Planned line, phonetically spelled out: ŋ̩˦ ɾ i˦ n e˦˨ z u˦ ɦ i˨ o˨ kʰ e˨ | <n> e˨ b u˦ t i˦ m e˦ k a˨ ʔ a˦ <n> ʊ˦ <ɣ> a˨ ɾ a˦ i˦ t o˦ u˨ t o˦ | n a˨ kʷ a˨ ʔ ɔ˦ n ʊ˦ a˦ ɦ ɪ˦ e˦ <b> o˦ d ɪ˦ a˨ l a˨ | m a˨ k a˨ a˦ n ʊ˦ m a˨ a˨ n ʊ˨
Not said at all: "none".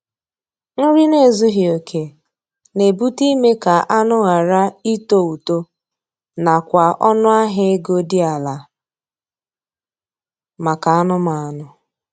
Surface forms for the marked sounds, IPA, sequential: n, n, ɣ, ɡ

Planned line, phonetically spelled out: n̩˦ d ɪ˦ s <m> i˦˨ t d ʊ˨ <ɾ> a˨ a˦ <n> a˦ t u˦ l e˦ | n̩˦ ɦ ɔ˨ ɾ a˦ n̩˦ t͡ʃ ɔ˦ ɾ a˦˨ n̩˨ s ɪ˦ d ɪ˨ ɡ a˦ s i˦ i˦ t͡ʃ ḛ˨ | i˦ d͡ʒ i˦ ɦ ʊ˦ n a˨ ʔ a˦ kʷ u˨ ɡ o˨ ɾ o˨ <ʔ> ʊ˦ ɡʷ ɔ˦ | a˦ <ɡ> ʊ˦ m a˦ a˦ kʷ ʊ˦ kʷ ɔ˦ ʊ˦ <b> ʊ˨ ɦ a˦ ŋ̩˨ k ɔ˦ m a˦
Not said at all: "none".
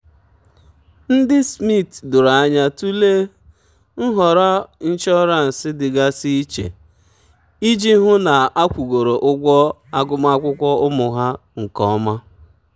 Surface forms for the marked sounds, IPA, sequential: m, ɾ, ɲ, ʔ, ɡ, m

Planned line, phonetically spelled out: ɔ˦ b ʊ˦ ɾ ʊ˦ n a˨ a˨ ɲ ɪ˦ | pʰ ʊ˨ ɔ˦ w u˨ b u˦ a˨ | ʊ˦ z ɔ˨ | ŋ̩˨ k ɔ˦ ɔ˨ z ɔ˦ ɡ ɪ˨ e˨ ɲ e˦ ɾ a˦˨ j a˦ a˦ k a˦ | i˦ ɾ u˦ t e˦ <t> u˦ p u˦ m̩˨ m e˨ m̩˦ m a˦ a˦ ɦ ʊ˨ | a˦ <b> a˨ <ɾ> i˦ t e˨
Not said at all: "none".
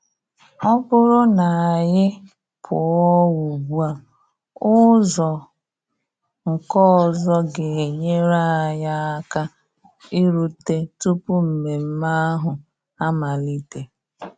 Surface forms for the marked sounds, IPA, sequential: t, m, l

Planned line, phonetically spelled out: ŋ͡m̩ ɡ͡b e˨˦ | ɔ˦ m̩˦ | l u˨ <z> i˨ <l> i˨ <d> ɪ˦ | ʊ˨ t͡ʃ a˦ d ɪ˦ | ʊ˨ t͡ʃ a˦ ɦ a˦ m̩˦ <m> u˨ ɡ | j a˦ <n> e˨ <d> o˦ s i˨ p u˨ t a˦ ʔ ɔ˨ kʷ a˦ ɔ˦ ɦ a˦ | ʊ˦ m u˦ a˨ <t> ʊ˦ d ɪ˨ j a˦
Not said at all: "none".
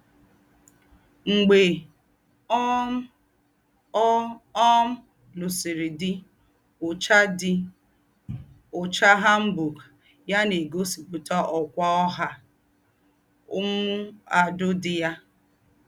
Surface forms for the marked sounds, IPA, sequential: s, ɾ, d, b, n, ɡ, d

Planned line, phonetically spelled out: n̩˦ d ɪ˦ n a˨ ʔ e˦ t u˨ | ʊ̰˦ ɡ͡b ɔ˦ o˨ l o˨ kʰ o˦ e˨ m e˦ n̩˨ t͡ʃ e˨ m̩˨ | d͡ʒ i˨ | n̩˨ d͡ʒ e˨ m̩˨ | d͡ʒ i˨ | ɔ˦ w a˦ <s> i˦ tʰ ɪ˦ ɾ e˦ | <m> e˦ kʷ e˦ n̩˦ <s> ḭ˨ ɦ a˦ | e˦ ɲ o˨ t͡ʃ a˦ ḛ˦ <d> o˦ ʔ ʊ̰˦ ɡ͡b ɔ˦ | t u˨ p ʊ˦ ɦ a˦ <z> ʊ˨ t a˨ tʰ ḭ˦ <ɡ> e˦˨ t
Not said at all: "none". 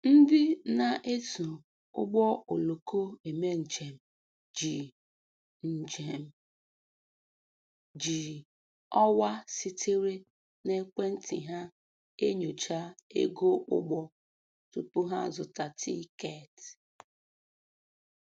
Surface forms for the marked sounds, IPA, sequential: s, n, t, ɡ, z, k

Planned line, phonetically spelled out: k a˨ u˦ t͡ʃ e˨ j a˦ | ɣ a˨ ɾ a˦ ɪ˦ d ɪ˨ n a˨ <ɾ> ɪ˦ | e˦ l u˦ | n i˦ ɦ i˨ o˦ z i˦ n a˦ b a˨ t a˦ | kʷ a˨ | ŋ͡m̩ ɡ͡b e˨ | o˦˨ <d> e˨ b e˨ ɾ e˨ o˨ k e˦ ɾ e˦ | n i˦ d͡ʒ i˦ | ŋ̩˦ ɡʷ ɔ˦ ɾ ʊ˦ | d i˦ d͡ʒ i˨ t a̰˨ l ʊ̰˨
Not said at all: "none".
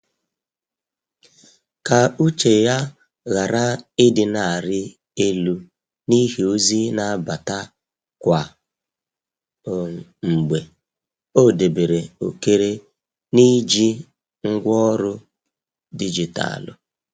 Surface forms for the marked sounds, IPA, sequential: ɾ, d

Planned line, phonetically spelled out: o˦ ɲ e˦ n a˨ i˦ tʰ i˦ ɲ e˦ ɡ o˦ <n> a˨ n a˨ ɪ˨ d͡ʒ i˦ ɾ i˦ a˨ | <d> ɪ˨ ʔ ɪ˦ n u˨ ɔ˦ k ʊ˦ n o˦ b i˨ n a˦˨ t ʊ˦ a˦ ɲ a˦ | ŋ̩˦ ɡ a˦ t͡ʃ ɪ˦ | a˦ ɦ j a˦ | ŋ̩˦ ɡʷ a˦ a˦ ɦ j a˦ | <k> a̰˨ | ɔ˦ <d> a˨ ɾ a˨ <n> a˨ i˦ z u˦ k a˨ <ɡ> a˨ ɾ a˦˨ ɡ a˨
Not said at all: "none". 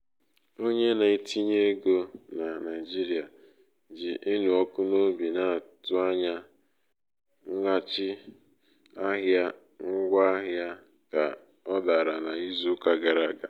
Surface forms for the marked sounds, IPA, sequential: n, d͡ʒ, k, d, n, ɡ

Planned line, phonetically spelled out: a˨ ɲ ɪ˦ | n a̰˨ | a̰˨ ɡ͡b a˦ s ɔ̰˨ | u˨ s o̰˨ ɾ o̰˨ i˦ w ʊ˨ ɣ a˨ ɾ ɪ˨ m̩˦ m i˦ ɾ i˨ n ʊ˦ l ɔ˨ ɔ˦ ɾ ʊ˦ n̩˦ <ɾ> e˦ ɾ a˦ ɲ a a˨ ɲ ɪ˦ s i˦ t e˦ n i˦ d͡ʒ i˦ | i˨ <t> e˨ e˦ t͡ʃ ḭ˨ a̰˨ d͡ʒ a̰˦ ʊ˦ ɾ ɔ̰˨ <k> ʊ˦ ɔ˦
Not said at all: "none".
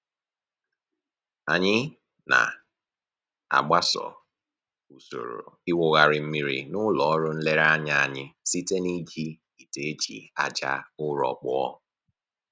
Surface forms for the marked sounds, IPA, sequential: l, t, k͡p

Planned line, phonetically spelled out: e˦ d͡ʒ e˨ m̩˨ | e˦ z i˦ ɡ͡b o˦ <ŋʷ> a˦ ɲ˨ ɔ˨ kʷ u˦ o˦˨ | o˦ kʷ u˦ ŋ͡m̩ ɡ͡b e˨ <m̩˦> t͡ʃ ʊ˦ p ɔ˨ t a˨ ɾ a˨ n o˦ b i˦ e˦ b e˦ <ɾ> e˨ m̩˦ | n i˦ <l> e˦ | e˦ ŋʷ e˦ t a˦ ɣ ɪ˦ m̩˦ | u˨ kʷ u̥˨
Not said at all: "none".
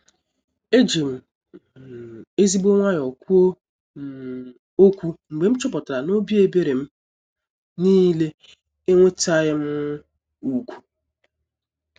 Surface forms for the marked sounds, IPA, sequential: ŋʷ, m̩˦, ɾ, l

